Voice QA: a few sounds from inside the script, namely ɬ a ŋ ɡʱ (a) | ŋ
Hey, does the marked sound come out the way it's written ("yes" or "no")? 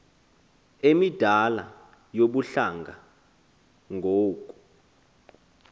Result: yes